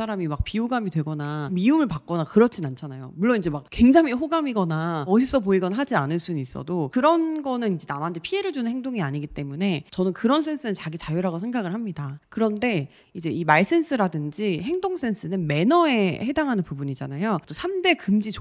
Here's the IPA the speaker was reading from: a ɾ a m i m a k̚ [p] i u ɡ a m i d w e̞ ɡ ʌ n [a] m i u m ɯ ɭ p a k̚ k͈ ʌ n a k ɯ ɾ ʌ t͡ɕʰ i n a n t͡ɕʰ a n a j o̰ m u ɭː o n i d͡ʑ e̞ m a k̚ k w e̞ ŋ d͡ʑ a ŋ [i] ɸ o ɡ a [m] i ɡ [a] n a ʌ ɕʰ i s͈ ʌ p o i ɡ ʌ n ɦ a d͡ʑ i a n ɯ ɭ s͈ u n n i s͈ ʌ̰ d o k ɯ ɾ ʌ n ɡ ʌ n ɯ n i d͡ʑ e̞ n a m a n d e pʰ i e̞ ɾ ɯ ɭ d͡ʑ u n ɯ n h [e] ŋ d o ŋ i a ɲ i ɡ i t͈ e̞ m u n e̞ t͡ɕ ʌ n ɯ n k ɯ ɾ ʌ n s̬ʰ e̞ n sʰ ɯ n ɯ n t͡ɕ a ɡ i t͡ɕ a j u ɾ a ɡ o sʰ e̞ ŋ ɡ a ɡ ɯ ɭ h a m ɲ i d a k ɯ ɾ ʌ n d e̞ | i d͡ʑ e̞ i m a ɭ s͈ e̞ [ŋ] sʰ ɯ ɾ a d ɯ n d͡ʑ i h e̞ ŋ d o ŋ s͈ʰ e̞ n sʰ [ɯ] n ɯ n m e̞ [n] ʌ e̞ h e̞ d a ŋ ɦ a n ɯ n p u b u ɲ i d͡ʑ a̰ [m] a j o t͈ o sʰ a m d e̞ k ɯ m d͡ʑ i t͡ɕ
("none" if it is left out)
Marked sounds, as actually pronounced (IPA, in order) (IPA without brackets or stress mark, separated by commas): p, a, i, m, ʌ, e, n, ɯ, n, n